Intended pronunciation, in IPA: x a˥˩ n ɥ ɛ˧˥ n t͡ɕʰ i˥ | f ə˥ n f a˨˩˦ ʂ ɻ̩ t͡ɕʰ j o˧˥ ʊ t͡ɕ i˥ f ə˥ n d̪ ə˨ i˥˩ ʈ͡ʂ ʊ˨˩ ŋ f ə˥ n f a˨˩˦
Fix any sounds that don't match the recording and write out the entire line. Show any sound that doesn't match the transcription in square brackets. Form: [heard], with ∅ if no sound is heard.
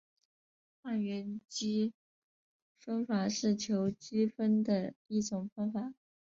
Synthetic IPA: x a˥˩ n ɥ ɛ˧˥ n [t͡ɕ] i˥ | f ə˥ n f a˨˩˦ ʂ ɻ̩ t͡ɕʰ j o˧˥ ʊ t͡ɕ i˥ f ə˥ n d̪ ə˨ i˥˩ ʈ͡ʂ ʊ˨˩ ŋ f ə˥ n f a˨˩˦